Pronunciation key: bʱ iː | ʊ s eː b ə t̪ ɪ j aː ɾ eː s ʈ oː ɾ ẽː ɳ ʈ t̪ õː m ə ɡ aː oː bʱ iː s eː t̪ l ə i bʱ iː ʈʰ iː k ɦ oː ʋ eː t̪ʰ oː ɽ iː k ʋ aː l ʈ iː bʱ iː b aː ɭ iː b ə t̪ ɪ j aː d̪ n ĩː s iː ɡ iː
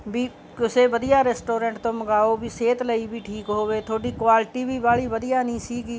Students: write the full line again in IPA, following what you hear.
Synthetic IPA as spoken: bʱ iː | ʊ s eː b ə d̪ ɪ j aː ɾ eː s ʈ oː ɾ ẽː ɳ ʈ t̪ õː m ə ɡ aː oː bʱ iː s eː t̪ l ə i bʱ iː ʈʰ iː k ɦ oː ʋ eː t̪ʰ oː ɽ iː k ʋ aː l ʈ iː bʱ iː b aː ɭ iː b ə d̪ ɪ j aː n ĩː s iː ɡ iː